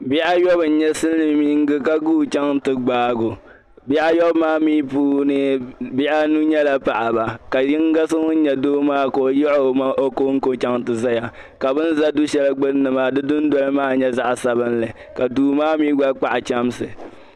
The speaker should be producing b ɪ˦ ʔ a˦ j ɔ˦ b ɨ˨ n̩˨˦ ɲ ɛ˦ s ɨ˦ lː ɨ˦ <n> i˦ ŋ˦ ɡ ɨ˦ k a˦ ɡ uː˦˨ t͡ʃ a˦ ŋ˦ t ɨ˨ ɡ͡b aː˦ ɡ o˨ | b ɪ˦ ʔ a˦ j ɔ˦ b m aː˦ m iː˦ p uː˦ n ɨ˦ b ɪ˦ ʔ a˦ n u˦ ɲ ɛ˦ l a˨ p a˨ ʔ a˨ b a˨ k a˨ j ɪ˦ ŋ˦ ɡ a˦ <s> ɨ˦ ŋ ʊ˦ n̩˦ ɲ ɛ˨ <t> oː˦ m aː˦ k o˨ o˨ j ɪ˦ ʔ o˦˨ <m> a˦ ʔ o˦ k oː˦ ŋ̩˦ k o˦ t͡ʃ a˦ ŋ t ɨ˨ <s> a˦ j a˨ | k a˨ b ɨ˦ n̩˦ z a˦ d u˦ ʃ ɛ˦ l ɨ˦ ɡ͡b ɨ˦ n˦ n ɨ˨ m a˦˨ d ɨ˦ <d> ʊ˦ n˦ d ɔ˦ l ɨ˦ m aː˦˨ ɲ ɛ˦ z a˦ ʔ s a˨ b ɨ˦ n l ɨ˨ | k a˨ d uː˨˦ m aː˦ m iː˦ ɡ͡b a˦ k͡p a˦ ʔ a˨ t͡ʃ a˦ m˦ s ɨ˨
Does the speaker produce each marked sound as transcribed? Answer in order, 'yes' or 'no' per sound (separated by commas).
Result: no, yes, no, yes, no, yes